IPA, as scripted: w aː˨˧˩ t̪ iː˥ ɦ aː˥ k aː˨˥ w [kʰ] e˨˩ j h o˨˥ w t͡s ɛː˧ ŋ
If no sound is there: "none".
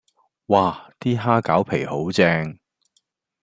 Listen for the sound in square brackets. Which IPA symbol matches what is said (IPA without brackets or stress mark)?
pʰ